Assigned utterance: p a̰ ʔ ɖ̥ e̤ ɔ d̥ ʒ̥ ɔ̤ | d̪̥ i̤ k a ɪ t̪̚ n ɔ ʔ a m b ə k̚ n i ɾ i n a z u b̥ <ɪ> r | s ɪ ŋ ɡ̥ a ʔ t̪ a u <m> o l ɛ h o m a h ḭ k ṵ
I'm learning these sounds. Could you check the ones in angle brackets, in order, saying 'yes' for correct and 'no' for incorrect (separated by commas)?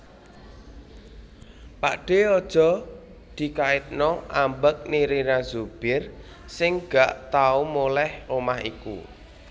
yes, yes